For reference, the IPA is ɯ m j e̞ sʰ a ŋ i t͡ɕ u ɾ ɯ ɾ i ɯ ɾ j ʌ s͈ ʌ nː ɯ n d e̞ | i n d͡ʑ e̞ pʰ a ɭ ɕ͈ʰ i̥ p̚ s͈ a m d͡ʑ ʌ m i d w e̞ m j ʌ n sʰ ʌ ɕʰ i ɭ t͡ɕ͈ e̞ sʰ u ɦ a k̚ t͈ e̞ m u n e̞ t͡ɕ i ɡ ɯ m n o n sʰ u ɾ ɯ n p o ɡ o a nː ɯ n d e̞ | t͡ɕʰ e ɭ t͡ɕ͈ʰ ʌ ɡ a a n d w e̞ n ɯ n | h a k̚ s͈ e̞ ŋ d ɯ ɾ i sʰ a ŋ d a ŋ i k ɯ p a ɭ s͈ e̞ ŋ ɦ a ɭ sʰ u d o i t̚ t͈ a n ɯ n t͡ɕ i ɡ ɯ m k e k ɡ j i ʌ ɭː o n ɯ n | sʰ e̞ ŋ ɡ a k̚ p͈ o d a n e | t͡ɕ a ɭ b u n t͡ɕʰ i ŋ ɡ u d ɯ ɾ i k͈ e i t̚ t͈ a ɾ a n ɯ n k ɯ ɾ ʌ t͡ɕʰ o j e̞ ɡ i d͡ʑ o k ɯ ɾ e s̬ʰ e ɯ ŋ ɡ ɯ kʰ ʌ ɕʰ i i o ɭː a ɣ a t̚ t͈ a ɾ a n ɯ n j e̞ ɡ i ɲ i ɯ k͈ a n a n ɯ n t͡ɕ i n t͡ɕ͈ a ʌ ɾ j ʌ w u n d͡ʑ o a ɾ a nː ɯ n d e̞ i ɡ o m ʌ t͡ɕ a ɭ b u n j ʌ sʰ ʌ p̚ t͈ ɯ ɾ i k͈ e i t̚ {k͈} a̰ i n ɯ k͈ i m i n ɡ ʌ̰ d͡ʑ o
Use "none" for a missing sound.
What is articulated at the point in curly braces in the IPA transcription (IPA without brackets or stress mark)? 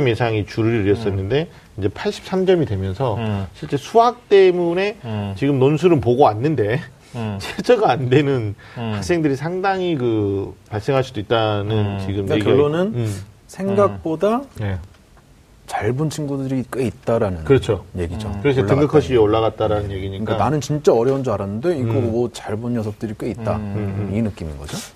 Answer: t͈